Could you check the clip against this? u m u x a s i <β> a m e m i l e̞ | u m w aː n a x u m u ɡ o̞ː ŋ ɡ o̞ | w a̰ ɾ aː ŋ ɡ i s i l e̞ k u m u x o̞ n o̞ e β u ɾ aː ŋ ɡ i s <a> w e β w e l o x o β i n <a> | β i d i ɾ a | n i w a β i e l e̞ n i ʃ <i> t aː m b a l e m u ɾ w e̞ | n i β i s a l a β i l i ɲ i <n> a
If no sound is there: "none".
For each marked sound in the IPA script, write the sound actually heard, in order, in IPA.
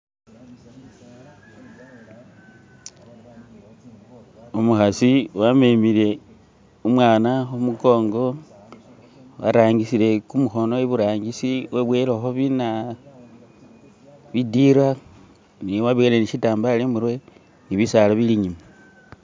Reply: w, i, a, i, m

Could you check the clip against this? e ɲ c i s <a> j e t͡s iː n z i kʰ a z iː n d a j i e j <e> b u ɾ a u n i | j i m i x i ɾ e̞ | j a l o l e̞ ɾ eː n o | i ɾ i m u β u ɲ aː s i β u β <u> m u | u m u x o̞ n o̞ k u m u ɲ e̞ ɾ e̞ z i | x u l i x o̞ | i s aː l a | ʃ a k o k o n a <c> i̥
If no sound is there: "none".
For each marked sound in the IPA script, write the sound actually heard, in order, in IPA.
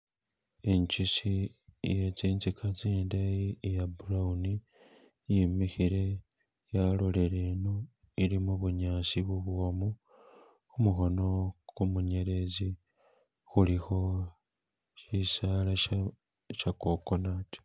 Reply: i, a, o, t

